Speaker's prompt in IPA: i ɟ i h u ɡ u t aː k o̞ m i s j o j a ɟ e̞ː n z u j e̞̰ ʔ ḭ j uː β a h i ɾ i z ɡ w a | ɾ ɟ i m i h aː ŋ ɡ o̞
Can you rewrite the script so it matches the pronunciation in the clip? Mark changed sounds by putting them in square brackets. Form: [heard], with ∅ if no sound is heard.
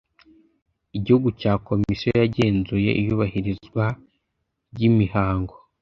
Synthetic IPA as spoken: i ɟ i h u ɡ u [c] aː k o̞ m i s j o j a ɟ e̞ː n z u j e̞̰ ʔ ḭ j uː β a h i ɾ i z ɡ w a | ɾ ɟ i m i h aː ŋ ɡ o̞